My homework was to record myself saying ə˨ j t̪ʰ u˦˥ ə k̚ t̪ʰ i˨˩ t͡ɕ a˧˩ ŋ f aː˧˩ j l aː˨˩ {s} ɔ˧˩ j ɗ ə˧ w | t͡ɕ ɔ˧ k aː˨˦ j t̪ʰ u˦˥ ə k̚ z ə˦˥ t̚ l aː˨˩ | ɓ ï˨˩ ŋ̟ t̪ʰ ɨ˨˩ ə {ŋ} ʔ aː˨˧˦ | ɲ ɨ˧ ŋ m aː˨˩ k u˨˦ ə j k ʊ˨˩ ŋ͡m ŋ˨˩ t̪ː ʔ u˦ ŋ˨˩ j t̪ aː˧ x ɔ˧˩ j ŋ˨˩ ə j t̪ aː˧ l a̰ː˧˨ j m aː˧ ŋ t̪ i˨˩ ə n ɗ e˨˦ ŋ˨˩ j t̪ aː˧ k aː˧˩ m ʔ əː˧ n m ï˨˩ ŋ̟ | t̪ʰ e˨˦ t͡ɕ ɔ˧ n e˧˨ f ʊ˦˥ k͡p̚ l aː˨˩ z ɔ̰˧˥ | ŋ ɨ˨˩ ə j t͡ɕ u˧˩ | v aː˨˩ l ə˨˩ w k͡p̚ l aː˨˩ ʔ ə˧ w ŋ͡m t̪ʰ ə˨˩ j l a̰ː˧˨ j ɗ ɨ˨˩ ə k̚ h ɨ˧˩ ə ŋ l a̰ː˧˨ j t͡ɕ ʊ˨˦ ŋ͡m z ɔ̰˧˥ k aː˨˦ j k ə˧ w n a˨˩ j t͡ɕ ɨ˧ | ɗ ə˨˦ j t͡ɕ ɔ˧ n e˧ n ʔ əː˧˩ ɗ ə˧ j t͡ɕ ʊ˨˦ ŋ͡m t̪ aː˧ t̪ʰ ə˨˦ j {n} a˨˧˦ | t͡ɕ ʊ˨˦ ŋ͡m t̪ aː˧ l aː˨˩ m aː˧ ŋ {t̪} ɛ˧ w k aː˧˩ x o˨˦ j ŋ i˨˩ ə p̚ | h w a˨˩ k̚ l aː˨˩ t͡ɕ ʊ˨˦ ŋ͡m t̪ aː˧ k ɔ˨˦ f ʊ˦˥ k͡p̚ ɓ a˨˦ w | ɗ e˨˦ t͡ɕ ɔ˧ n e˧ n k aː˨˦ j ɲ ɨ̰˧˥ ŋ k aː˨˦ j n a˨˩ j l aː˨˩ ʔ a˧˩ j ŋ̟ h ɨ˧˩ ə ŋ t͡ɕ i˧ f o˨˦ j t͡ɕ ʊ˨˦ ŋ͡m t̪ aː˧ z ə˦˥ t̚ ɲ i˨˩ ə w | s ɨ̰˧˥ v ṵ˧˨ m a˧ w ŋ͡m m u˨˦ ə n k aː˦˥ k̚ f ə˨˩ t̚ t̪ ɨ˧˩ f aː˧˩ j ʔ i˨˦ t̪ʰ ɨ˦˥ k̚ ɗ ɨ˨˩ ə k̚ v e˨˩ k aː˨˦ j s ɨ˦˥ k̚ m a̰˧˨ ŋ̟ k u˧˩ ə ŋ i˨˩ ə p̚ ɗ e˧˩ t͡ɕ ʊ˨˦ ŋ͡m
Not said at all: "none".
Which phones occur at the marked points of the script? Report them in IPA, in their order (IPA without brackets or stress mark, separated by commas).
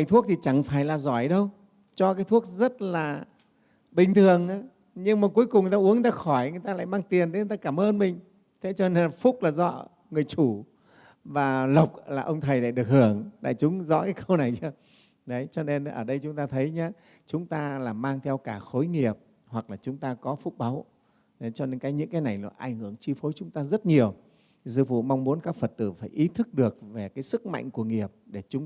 z, ŋ, ɲ, t̪ʰ